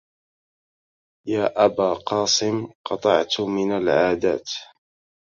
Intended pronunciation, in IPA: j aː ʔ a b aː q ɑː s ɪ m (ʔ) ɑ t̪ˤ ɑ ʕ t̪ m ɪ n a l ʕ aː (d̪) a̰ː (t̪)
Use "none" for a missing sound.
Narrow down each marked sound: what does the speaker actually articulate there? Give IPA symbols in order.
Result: q, d̪, t̪

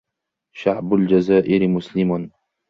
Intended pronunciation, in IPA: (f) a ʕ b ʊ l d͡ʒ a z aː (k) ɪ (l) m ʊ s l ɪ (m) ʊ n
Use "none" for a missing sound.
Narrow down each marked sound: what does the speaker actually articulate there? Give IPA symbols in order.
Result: ʃ, ʔ, ɾ, m

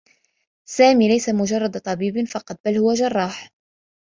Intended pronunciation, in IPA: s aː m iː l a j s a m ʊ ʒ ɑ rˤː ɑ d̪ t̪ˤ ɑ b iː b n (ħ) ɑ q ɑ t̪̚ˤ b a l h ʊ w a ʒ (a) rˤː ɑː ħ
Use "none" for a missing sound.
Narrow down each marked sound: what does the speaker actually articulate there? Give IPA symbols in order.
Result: f, ɑ

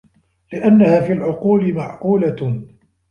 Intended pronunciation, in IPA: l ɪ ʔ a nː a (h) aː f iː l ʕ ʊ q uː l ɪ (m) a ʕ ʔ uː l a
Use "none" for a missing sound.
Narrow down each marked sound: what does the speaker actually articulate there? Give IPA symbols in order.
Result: h, m

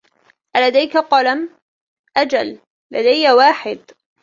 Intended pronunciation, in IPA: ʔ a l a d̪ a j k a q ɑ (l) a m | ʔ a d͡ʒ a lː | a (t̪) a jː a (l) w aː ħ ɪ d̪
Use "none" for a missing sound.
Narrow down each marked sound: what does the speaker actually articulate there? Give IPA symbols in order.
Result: l, d̪, none

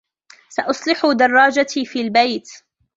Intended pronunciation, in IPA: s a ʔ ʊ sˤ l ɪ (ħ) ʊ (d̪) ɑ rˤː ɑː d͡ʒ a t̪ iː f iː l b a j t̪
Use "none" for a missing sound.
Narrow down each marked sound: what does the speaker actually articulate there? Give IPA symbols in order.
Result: ħ, d̪

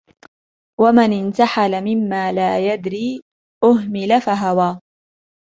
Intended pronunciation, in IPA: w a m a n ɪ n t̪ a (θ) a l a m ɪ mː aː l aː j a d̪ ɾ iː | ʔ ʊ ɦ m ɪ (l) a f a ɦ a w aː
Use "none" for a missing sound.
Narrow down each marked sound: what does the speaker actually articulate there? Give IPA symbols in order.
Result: ħ, l

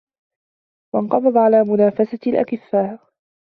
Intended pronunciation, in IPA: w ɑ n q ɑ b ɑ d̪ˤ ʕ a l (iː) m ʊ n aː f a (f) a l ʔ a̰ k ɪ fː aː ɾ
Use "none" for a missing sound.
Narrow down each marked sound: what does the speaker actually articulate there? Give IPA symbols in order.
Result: aː, s

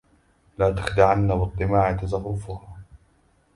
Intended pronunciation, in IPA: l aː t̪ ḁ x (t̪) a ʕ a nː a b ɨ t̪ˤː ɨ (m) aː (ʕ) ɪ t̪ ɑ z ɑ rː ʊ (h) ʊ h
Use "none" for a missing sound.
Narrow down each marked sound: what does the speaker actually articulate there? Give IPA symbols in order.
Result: d̪, m, ʕ, f

